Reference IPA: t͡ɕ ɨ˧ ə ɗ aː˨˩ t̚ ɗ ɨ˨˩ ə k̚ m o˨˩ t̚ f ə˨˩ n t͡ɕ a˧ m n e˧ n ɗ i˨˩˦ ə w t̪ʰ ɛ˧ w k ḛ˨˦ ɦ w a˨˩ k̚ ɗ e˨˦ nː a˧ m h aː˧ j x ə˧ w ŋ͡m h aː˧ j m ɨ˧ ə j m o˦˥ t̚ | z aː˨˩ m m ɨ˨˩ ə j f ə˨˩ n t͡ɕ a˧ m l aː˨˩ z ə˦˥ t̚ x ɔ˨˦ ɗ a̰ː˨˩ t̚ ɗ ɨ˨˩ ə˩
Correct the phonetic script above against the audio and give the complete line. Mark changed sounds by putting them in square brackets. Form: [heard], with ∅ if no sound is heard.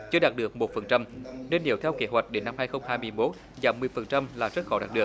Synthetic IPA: t͡ɕ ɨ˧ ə ɗ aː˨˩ t̚ ɗ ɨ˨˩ ə k̚ m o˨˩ t̚ f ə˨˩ n t͡ɕ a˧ m n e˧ n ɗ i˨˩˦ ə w t̪ʰ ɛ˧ w k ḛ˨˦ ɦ w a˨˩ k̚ ɗ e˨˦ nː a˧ m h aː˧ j x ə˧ w ŋ͡m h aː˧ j m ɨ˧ ə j m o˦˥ t̚ | z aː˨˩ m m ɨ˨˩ ə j f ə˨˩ n t͡ɕ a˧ m l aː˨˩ z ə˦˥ t̚ x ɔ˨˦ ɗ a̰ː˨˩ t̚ ɗ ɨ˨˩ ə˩